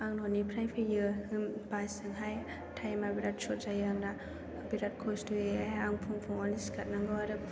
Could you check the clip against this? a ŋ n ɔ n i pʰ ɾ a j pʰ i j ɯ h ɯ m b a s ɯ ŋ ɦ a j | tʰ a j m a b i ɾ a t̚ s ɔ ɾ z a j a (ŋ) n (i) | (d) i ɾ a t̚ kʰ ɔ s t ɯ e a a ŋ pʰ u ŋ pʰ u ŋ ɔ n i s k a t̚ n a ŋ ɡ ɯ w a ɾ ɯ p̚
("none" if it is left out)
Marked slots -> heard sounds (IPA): ŋ, a, b

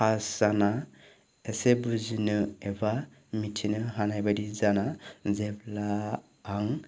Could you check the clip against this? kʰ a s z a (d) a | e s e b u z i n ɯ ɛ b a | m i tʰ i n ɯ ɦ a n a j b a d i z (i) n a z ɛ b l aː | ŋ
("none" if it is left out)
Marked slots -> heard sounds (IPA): n, a

